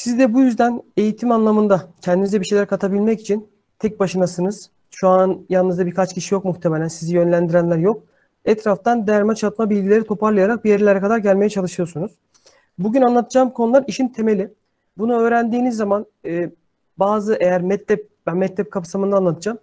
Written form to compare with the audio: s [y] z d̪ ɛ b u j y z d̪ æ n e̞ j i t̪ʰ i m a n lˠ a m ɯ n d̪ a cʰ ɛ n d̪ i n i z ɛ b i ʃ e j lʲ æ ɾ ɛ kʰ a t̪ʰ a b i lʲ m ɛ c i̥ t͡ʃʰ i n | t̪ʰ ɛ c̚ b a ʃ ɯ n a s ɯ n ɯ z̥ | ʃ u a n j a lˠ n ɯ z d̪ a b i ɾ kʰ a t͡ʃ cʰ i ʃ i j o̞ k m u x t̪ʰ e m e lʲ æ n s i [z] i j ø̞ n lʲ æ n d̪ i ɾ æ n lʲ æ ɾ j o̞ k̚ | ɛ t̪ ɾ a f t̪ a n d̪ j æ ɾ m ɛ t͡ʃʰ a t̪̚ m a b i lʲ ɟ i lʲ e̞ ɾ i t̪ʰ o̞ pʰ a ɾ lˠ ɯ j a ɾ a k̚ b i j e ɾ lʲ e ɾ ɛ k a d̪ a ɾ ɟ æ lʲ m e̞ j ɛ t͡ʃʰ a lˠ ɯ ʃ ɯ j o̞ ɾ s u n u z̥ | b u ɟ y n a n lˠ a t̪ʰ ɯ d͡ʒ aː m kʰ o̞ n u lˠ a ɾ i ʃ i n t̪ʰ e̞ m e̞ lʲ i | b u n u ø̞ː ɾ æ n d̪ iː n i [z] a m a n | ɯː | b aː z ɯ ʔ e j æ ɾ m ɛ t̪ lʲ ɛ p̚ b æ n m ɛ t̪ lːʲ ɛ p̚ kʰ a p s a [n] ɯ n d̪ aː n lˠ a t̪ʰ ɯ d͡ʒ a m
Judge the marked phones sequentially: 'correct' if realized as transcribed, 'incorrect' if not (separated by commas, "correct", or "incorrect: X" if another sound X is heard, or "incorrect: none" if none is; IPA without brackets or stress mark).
incorrect: i, correct, incorrect: zː, incorrect: m